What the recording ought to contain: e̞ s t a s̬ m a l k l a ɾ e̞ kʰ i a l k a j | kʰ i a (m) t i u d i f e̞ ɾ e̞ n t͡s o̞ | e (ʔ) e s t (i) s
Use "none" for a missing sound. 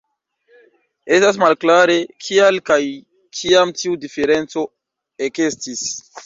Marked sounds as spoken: m, k, i

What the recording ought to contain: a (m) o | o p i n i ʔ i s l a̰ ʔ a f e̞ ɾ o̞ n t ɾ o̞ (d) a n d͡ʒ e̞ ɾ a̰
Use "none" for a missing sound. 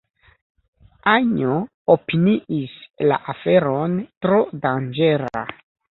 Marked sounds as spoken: ɲ, d

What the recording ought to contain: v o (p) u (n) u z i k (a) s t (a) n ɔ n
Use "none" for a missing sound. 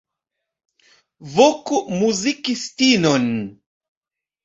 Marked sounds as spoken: k, m, i, i

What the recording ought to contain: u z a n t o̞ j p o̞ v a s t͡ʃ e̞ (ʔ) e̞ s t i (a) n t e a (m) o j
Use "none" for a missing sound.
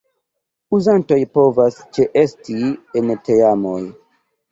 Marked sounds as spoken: ʔ, e, m

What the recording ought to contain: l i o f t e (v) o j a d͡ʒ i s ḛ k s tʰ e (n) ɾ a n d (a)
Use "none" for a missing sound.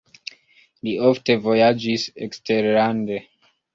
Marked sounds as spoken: v, none, e

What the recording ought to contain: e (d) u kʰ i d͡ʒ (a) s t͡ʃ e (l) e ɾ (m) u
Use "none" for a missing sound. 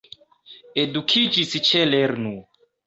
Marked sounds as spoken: d, i, l, n

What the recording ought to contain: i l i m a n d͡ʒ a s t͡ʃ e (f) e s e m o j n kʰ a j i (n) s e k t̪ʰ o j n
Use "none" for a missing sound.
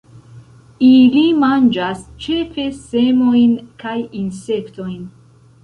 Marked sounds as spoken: f, n

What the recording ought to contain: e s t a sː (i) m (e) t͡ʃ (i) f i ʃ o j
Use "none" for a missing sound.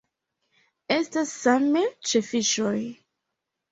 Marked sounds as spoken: a, e, e

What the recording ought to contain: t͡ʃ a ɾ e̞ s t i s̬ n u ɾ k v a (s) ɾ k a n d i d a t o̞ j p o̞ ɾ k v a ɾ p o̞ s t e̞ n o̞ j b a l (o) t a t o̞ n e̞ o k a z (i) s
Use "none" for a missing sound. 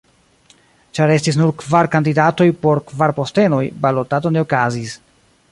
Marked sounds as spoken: none, o, i

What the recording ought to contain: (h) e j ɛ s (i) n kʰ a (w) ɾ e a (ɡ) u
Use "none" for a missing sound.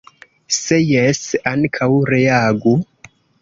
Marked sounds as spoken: s, a, w, ɡ

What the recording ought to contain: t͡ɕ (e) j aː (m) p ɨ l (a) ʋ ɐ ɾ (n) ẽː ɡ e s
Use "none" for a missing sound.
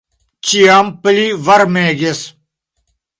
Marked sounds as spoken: i, m, i, m

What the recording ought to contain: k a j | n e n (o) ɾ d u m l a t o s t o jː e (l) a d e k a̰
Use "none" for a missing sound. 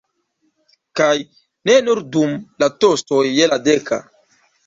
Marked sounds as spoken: u, l

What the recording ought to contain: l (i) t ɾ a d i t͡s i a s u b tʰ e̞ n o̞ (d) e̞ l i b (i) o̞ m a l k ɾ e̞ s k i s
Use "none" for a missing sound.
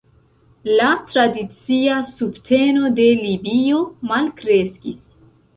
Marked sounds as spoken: a, d, i

